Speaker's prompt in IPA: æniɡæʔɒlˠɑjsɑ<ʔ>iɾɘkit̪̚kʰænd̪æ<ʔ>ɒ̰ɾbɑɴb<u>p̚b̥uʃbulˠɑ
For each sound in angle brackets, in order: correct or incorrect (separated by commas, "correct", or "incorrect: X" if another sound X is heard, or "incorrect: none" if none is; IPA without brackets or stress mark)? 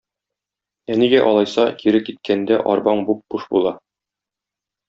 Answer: incorrect: k, correct, correct